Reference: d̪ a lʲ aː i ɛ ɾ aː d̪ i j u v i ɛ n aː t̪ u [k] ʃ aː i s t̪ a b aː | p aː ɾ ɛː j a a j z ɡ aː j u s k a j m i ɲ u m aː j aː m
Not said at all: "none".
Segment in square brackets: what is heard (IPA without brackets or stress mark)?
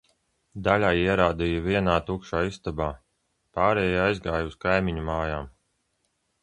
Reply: k